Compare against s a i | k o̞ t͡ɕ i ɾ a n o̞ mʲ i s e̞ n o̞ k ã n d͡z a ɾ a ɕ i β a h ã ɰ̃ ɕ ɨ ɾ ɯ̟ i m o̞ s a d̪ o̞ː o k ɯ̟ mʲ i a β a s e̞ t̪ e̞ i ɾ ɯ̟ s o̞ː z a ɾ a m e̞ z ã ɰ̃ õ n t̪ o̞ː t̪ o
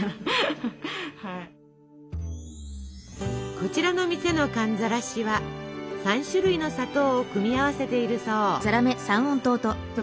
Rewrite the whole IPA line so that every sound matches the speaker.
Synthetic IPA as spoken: h a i | k o̞ t͡ɕ i ɾ a n o̞ mʲ i s e̞ n o̞ k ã n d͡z a ɾ a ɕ i β a s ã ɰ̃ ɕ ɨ ɾ ɯ̟ i n o̞ s a t̪ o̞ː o k ɯ̟ mʲ i a β a s e̞ t̪ e̞ i ɾ ɯ̟ s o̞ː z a ɾ a m e̞ s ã ɰ̃ õ n t̪ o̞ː t̪ o